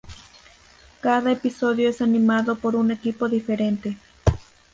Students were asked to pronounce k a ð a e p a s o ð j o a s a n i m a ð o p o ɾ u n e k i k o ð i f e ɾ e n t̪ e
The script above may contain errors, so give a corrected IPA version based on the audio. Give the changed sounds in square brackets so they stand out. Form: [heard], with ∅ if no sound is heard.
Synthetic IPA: k a ð a e p [i] s o ð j o [e] s a n i m a ð o p o ɾ u n e k i [p] o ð i f e ɾ e n t̪ e